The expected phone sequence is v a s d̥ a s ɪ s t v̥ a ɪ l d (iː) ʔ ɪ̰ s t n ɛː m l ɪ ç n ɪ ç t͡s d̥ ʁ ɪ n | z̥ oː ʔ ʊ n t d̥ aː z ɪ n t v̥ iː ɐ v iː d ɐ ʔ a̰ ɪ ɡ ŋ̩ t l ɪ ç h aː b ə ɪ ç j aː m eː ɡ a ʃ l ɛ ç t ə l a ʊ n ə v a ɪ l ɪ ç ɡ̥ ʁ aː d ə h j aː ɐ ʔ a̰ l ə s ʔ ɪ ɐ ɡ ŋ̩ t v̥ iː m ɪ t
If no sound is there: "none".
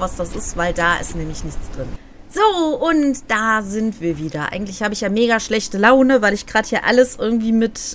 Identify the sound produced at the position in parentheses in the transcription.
aː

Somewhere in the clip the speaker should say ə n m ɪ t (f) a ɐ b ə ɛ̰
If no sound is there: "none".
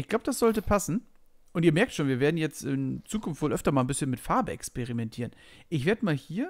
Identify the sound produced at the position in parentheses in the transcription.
f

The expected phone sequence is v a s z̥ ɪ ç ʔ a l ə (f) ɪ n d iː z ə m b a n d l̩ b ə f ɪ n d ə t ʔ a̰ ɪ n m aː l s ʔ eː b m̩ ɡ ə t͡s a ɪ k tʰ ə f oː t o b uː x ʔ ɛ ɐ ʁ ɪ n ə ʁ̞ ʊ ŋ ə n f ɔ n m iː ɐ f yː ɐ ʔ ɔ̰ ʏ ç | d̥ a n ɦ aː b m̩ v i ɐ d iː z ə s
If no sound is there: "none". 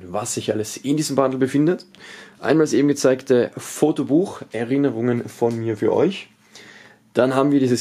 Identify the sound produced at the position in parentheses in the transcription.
s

